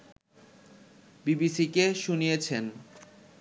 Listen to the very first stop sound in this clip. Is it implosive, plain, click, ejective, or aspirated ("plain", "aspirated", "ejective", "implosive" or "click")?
plain